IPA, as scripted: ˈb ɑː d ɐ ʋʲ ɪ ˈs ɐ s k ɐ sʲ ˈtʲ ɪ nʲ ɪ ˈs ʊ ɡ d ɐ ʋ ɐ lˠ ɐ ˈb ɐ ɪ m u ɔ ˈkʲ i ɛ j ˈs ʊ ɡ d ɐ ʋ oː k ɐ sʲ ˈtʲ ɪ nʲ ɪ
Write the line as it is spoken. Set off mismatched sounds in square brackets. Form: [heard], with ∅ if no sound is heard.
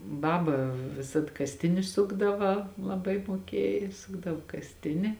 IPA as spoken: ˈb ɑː [b] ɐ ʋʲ ɪ ˈs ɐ [t] k ɐ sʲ ˈtʲ ɪ nʲ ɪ ˈs ʊ ɡ d ɐ ʋ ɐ lˠ ɐ ˈb ɐ ɪ m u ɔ ˈkʲ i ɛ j ˈs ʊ ɡ d ɐ ʋ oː k ɐ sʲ ˈtʲ ɪ nʲ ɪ